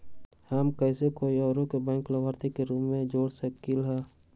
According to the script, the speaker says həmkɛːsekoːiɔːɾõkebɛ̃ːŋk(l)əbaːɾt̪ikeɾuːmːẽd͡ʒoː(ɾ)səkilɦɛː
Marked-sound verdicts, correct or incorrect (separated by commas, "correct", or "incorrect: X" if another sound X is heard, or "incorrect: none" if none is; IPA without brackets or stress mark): correct, incorrect: ɽ